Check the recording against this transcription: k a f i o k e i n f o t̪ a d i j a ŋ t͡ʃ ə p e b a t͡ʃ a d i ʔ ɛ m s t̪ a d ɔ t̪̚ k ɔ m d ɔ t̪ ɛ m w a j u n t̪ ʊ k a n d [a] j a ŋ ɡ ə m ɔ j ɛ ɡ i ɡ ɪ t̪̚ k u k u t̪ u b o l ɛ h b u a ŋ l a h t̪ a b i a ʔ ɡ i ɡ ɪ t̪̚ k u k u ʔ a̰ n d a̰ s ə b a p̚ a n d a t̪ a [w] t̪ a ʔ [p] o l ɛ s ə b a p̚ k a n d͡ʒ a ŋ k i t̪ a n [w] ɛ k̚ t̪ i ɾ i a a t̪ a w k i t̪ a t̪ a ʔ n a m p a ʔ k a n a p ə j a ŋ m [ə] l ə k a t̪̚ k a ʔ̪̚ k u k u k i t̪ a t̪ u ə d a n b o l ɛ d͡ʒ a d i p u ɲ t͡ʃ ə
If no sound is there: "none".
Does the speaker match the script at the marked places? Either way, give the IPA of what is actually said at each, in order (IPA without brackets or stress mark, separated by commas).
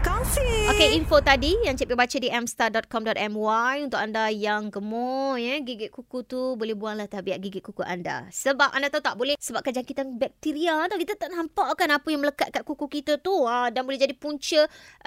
a, u, b, b, ə